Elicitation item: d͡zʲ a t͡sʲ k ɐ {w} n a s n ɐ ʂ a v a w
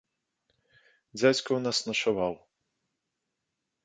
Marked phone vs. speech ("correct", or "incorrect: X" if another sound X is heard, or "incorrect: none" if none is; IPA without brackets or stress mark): correct